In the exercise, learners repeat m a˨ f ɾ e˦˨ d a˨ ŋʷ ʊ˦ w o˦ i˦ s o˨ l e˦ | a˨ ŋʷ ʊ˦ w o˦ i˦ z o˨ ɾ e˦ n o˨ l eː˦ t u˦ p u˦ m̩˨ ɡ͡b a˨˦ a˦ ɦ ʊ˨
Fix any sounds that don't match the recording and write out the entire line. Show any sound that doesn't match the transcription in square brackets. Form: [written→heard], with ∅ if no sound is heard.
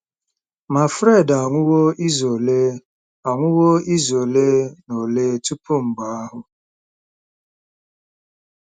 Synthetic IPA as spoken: m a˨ f ɾ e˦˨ d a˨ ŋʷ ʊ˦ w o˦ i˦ [s→z] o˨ l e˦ | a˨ ŋʷ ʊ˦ w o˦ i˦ z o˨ [ɾ→l] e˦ n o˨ l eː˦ t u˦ p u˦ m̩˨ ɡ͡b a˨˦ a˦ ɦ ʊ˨

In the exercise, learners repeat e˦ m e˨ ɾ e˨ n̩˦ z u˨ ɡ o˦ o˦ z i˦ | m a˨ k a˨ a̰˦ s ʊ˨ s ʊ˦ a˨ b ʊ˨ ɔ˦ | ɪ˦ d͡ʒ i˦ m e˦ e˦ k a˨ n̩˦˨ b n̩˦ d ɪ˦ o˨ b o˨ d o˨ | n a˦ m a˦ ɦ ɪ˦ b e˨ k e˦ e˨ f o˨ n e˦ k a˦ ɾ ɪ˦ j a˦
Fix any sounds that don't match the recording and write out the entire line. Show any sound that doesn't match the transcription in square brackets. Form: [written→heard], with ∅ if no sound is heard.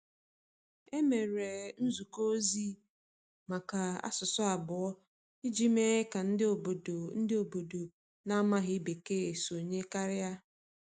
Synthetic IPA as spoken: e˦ m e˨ ɾ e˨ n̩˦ z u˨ [ɡ→k] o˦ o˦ z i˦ | m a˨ k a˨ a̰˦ s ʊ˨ s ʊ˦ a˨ b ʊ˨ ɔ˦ | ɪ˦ d͡ʒ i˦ m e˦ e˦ k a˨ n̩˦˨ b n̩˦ d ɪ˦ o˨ b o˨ d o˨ | n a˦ m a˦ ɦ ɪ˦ b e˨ k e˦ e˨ [f→s] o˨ [n→ɲ] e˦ k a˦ ɾ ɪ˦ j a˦

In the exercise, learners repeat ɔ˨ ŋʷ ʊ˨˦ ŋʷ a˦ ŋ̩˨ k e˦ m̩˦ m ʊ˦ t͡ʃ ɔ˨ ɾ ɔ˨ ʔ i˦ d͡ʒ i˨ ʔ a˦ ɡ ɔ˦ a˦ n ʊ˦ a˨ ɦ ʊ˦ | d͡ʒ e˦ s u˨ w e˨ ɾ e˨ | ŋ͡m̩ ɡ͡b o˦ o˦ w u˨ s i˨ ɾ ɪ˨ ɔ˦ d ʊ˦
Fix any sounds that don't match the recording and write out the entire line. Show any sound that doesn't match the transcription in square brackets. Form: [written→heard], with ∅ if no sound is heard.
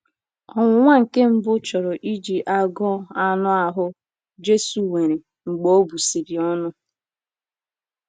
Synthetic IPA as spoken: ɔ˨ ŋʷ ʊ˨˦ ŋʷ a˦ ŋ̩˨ k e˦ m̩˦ [m→b] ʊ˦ t͡ʃ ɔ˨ ɾ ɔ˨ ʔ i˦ d͡ʒ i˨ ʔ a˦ ɡ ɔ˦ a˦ n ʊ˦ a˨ ɦ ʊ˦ | d͡ʒ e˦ s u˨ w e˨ ɾ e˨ | ŋ͡m̩ ɡ͡b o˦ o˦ [w→b] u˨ s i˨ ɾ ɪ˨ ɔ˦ [d→n] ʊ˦

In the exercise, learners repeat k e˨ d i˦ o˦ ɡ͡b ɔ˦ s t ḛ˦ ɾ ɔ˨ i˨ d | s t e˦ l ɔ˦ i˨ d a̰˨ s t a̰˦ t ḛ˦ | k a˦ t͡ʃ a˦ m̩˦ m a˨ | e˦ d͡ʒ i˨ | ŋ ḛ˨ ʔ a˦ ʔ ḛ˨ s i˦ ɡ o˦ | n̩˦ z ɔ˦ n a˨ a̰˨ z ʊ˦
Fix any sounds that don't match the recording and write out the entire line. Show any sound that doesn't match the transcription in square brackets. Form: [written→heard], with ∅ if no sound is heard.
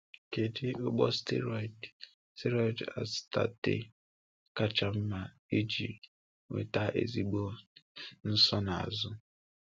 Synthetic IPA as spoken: k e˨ d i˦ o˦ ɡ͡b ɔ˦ s t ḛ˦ ɾ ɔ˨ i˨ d | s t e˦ [l→ɾ] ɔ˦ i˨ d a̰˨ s t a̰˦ t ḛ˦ | k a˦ t͡ʃ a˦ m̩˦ m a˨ | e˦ d͡ʒ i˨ | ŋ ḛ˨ [ʔ→t] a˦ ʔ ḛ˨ [s→z] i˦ [ɡ→ɡ͡b] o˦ | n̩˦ [z→s] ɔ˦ n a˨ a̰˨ z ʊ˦

